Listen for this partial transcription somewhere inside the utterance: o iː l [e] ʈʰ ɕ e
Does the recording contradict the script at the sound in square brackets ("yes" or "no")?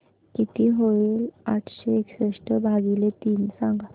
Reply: yes